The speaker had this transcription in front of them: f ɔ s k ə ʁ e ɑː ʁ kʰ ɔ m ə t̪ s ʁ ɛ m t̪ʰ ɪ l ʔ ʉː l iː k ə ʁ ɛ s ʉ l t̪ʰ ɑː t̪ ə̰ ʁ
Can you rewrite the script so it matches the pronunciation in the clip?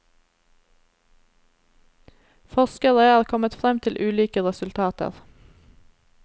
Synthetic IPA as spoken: f ɔ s k ə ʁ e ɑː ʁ kʰ ɔ m ə t̪ f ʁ ɛ m t̪ʰ ɪ l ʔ ʉː l iː k ə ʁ ɛ s ʉ l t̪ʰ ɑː t̪ ə̰ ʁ